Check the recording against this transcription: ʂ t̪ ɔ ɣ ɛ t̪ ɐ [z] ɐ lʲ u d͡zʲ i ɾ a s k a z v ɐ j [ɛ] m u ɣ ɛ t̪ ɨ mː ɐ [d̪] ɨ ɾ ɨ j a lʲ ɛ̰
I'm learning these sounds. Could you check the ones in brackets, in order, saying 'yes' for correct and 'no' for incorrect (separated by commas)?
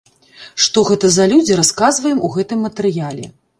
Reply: yes, yes, no